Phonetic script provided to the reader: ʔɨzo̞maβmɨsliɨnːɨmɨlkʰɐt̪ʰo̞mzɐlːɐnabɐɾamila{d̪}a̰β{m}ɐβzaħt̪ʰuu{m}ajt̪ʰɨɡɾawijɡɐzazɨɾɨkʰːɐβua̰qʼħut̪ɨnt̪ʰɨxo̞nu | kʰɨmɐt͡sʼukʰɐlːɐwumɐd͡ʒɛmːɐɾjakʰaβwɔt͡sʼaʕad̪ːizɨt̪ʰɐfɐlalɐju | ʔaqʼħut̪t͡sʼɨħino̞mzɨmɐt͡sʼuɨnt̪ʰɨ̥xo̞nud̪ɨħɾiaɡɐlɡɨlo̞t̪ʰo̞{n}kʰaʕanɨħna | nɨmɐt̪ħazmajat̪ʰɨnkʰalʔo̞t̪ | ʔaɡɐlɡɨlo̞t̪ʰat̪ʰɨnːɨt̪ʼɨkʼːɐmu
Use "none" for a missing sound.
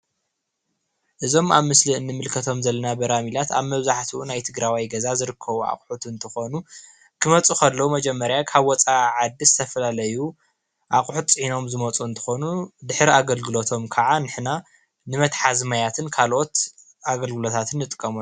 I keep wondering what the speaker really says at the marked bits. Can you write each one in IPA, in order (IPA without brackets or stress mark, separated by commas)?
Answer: t̪, m, n, m